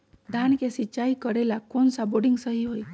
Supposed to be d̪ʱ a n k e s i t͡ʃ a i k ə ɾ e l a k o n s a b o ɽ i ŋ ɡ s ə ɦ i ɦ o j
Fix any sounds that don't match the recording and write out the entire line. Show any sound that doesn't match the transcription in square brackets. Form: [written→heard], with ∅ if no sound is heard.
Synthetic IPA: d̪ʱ a n k e s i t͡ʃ a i k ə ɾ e l a k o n s a b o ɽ i ŋ ɡ s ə ɦ i ɦ o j